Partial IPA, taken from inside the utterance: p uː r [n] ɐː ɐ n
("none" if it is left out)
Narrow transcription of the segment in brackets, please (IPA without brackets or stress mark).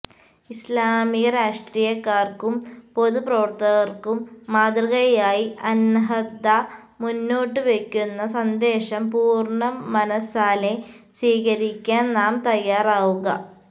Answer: ɳ